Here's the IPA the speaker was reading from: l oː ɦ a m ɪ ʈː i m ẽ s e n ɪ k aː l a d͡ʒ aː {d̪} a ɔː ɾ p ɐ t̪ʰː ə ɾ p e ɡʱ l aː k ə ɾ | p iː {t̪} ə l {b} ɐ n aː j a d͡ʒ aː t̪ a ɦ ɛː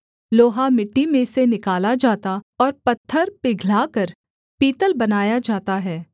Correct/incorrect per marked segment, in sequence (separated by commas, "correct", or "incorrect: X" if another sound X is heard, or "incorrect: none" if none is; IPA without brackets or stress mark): incorrect: t̪, correct, correct